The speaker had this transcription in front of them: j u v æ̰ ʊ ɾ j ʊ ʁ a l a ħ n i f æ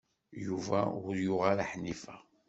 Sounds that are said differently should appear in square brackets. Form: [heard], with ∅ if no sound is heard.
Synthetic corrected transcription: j u v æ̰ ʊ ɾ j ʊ ʁ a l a ħ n i f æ